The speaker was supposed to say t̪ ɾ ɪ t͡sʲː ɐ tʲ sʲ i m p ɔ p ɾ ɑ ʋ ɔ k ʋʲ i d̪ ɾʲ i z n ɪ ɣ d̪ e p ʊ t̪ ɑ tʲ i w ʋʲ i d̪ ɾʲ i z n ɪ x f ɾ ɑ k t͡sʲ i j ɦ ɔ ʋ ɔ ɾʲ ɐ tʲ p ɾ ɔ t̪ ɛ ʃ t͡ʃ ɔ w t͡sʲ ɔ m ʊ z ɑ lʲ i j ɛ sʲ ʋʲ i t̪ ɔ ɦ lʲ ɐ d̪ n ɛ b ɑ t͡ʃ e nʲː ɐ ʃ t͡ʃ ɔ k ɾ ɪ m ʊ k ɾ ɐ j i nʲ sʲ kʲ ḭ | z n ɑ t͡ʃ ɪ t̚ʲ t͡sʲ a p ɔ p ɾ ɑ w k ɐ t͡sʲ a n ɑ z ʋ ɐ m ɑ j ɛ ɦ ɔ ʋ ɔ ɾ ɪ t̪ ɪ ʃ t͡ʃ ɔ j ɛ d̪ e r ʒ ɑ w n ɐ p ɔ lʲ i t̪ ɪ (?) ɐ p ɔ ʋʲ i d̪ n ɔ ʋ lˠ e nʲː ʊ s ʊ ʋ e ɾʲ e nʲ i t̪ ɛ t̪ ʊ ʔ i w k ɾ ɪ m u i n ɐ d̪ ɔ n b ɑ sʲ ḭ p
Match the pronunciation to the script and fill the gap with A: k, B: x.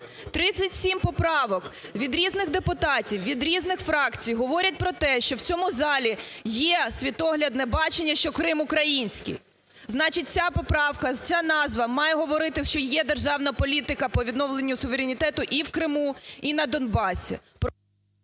A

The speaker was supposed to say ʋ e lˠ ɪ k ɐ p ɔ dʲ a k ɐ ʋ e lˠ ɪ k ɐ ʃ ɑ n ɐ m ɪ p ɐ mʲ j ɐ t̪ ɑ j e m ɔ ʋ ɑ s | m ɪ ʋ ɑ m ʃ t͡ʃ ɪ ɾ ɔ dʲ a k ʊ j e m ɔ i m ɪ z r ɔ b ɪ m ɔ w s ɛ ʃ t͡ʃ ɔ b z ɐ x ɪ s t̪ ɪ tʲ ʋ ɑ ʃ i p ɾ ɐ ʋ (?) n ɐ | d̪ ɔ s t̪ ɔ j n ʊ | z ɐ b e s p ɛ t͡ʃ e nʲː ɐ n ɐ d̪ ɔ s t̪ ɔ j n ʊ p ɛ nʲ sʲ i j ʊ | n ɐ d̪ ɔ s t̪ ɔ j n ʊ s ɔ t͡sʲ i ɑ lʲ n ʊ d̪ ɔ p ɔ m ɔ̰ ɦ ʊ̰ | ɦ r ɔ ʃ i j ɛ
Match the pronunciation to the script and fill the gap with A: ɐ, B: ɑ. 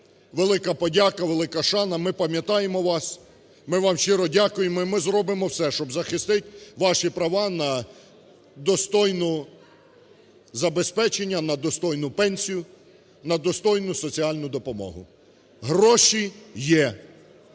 B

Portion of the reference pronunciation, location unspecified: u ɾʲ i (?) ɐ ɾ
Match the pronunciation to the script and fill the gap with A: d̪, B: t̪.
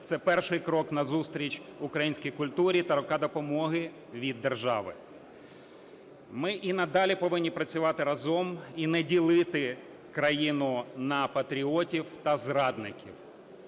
B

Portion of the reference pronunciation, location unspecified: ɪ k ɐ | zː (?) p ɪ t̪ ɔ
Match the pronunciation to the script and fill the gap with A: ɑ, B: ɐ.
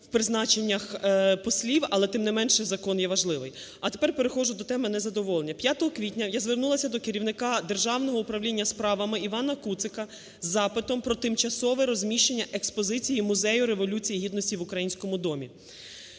A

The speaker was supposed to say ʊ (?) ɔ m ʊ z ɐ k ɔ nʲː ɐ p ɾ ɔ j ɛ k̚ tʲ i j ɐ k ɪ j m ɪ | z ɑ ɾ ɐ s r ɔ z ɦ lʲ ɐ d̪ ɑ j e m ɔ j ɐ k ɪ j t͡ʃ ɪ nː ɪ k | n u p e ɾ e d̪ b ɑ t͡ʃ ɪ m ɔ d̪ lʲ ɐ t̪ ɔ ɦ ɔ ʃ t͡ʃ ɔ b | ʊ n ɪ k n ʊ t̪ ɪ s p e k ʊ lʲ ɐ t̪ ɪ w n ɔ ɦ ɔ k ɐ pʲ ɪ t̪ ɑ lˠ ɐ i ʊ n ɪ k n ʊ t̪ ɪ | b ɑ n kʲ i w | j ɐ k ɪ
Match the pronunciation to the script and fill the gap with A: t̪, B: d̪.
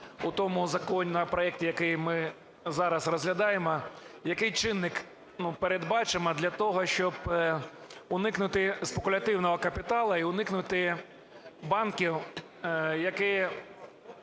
A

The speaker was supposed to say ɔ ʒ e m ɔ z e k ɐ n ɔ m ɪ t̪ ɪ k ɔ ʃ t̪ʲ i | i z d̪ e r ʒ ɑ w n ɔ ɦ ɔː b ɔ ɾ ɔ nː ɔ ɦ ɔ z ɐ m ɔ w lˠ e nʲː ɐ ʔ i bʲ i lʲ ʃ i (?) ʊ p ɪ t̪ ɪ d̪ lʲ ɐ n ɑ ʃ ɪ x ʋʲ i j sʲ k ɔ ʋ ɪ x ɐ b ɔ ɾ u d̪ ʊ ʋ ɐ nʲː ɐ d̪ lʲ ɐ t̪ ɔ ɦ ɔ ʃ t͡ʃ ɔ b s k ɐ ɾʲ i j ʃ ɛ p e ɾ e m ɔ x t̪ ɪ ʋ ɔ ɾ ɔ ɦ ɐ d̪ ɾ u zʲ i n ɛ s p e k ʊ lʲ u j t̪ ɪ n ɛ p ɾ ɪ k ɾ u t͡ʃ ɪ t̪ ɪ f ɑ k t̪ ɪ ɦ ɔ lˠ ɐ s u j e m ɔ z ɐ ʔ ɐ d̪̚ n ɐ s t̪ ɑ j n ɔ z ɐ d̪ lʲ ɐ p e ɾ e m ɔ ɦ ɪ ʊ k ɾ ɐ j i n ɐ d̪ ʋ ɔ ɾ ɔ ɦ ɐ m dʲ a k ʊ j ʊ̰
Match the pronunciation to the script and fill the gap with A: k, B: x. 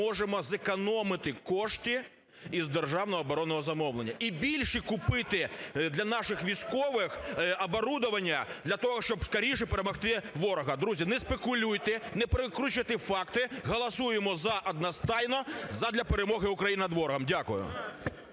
A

